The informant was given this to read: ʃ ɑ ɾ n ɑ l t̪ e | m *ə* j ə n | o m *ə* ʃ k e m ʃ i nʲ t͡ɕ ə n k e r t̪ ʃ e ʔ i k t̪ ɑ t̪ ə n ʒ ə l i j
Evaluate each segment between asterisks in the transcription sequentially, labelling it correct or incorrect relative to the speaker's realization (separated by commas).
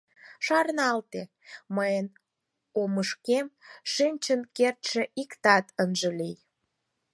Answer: correct, correct